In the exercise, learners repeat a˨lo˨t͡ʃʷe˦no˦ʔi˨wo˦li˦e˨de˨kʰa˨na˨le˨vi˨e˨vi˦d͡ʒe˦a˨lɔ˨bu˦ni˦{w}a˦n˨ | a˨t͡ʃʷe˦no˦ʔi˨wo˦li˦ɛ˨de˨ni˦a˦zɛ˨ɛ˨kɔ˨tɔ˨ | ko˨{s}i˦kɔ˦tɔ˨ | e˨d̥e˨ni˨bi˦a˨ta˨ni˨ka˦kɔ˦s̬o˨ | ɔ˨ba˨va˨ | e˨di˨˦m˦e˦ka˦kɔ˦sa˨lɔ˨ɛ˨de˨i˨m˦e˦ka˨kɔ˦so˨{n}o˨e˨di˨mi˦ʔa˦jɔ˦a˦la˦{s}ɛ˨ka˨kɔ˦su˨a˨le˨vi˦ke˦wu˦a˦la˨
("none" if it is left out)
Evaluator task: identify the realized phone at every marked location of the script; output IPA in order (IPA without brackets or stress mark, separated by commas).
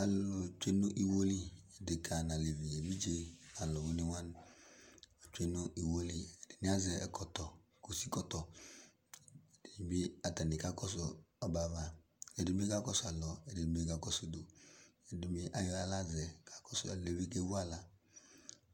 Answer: w, s, d, z